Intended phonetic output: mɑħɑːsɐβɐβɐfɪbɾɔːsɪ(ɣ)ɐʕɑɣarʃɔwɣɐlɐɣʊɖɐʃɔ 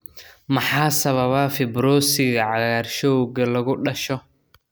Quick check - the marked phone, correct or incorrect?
correct